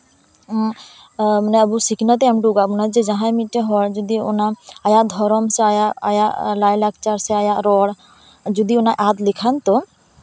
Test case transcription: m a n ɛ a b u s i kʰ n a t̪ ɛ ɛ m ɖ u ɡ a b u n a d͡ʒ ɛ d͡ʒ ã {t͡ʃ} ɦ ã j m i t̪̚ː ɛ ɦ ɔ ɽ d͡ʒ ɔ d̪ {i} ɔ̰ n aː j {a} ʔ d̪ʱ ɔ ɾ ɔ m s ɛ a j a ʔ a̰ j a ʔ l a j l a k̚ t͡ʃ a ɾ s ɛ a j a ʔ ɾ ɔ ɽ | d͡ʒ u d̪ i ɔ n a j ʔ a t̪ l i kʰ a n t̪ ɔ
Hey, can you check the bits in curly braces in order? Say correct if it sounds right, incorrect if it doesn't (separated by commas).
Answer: incorrect, correct, correct